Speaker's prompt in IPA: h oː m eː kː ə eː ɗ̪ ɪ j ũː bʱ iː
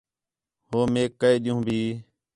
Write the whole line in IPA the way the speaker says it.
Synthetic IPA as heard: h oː m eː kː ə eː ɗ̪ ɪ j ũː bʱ iː